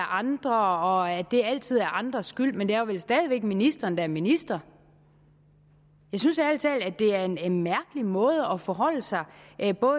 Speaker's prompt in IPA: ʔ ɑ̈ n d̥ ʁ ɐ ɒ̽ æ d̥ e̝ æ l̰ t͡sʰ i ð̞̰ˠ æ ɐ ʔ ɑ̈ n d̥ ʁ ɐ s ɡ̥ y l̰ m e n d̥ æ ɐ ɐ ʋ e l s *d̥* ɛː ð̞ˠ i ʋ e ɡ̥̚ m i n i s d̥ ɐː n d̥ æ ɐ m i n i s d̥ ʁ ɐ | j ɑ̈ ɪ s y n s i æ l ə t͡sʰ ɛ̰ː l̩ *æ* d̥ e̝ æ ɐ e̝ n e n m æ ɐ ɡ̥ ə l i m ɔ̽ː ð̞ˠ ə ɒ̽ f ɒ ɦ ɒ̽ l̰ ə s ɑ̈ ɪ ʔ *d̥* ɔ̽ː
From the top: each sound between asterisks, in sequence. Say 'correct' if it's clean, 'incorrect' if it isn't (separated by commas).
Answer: correct, correct, incorrect